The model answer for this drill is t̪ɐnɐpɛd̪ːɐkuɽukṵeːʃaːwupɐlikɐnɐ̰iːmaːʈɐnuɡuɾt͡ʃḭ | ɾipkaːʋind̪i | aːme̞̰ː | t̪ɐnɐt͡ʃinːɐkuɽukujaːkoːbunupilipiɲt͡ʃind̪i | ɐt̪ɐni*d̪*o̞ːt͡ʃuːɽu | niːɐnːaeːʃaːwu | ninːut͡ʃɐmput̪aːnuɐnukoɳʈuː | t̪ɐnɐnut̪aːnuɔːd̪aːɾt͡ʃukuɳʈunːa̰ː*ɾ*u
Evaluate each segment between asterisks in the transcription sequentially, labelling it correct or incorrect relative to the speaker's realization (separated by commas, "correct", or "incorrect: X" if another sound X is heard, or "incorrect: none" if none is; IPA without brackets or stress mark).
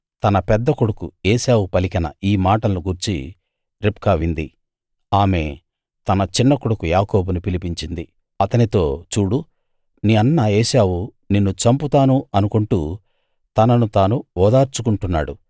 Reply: incorrect: t̪, incorrect: ɽ